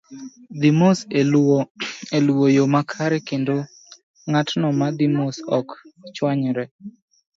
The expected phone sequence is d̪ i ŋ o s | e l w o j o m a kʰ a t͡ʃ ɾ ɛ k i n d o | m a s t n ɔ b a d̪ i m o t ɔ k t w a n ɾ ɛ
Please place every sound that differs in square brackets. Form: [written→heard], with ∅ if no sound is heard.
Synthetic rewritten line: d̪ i [ŋ→m] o s | e l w o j o m a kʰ a [t͡ʃ→∅] ɾ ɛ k [i→e] n d o | [m→ŋ] a [s→∅] t n ɔ [b→m] a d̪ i m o [t→s] ɔ k [t→t͡ʃ] w a [n→ɲ] ɾ ɛ

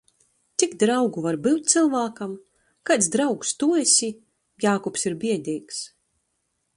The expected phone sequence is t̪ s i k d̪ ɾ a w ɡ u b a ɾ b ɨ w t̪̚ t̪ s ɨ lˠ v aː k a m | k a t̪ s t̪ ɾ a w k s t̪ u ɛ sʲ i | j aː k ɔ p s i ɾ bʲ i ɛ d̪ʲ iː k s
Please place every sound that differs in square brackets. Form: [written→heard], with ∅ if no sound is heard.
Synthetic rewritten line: t̪ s i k d̪ ɾ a w ɡ u [b→v] a ɾ b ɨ w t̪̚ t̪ s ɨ lˠ v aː k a m | k a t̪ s [t̪→d̪] ɾ a w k s t̪ u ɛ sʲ i | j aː k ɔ p s i ɾ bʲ i ɛ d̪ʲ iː k s

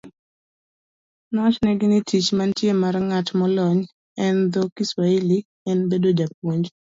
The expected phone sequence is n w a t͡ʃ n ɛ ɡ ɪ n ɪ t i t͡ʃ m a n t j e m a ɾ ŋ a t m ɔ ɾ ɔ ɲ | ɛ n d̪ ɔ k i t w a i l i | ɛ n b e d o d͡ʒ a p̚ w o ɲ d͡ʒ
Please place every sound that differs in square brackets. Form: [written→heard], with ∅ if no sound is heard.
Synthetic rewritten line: n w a t͡ʃ n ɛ ɡ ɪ n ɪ t i t͡ʃ m a n t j e m a ɾ ŋ a t m ɔ [ɾ→l] ɔ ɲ | ɛ n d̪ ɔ k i [t→s] w a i l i | ɛ n b e d o d͡ʒ a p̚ w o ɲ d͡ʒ

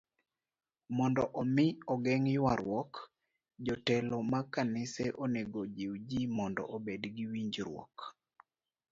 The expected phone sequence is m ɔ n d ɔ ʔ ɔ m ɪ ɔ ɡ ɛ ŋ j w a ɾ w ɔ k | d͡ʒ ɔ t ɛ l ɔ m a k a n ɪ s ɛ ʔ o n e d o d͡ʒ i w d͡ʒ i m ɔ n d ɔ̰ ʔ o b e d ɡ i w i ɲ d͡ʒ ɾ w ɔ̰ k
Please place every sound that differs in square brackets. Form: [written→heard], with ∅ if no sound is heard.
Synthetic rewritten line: m ɔ n d ɔ ʔ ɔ m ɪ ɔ ɡ ɛ ŋ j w a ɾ w ɔ k | d͡ʒ ɔ t ɛ l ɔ m a k a n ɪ s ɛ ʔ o n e [d→ɡ] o d͡ʒ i w d͡ʒ i m ɔ n d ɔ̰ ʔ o b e d ɡ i w i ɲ d͡ʒ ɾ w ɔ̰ k

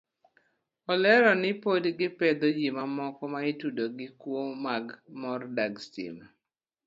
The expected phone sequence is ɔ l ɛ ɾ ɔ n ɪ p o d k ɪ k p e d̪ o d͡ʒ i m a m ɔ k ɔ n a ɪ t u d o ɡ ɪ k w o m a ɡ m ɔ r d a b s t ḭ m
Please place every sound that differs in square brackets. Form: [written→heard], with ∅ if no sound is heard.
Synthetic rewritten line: ɔ l ɛ ɾ ɔ n ɪ p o d [k→ɡ] ɪ [k→∅] p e d̪ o d͡ʒ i m a m ɔ k ɔ [n→m] a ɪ t u d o ɡ ɪ k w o m a ɡ m ɔ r d a [b→ɡ] s t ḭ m

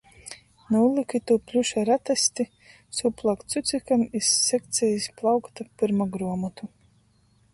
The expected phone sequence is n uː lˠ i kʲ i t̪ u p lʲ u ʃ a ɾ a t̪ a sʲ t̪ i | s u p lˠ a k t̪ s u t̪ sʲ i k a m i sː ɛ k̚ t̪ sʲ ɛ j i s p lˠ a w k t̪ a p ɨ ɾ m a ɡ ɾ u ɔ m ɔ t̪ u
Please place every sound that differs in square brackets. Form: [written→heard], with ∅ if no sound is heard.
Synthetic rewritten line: n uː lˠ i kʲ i t̪ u p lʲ u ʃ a ɾ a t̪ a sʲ t̪ i | s u p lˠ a k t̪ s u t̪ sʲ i k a m i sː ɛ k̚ t̪ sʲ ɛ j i s p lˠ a w k t̪ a p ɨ ɾ m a ɡ ɾ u ɔ m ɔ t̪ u

